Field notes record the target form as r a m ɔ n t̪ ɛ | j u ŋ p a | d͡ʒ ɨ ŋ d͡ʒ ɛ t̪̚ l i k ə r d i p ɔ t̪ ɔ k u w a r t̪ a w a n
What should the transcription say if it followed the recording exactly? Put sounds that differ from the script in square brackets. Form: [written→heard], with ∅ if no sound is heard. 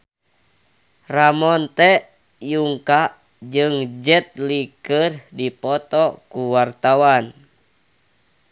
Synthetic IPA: r a m ɔ n t̪ ɛ | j u ŋ [p→k] a | d͡ʒ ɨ ŋ d͡ʒ ɛ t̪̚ l i k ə r d i p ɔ t̪ ɔ k u w a r t̪ a w a n